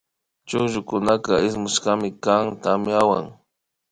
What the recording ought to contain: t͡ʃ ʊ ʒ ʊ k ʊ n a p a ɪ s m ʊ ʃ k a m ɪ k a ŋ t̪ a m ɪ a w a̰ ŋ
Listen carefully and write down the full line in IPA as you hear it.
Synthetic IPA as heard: t͡ʃ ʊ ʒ ʊ k ʊ n a k a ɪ s m ʊ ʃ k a m ɪ k a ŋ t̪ a m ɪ a w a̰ ŋ